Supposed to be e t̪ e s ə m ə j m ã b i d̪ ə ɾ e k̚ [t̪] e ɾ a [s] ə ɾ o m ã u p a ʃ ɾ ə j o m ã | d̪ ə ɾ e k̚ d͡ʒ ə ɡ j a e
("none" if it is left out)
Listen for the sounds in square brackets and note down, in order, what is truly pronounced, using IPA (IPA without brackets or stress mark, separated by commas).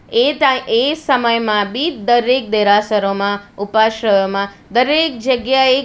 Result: d̪, s